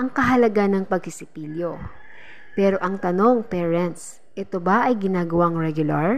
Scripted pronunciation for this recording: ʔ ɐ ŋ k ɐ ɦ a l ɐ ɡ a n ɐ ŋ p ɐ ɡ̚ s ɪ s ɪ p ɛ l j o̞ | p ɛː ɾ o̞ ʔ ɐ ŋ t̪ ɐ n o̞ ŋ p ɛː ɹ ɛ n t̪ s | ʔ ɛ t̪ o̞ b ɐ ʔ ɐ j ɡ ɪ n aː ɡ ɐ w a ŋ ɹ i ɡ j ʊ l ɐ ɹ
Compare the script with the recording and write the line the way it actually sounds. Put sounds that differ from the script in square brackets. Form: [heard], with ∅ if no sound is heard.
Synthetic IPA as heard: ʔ ɐ ŋ k ɐ ɦ [ɐ] l ɐ ɡ a n ɐ ŋ p ɐ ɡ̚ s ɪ s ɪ p [i] l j o̞ | p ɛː ɾ o̞ ʔ ɐ ŋ t̪ ɐ n o̞ ŋ p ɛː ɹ ɛ n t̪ s | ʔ ɛ t̪ o̞ b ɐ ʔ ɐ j ɡ ɪ n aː ɡ ɐ w a ŋ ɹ [ɛ] ɡ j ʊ l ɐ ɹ